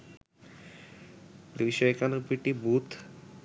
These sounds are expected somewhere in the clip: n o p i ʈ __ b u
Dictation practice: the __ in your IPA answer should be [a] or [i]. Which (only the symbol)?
i